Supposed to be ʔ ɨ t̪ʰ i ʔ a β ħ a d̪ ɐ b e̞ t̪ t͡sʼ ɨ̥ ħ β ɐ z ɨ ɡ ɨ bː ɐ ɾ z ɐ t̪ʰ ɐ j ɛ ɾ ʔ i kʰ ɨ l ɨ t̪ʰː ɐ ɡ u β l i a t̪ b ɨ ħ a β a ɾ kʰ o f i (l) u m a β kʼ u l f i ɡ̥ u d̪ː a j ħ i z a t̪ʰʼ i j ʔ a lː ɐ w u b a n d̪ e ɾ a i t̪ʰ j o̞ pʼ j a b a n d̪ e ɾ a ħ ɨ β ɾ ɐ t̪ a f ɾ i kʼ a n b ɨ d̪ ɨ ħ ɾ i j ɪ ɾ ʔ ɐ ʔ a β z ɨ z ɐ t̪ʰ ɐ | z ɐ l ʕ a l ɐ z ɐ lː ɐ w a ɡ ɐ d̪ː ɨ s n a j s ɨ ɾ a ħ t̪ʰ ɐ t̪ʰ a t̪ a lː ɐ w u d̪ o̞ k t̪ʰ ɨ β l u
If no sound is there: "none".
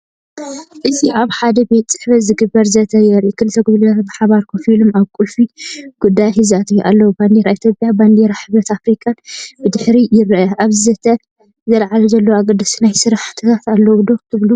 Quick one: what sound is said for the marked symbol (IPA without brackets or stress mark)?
l